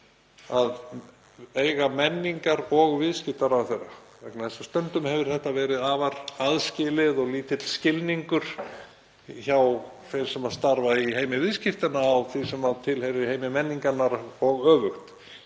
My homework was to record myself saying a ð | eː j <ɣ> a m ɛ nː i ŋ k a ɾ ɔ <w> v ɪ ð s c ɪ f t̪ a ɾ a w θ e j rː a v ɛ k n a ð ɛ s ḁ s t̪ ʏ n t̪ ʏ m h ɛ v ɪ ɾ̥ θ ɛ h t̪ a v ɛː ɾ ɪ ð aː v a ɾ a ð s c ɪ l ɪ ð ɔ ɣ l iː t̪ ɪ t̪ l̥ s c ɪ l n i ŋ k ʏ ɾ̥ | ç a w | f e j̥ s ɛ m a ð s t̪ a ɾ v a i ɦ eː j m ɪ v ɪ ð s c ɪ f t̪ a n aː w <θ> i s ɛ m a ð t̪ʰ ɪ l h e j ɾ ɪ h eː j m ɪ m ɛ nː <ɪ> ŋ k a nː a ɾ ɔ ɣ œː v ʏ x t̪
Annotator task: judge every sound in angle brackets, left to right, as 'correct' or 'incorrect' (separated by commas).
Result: correct, incorrect, correct, incorrect